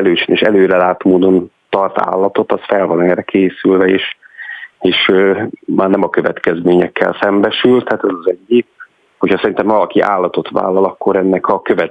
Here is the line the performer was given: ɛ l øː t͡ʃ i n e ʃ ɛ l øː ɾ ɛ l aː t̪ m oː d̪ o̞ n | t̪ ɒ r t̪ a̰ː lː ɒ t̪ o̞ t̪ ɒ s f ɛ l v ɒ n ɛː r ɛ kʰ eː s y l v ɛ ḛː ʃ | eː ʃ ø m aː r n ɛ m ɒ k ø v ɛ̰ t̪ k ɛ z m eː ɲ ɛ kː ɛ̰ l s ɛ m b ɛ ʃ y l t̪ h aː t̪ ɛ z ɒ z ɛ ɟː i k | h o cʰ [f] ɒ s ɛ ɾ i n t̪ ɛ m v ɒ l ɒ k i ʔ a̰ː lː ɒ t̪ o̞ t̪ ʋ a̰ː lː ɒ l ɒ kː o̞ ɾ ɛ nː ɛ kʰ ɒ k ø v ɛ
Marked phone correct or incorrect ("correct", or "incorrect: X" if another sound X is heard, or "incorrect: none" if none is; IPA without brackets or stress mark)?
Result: incorrect: h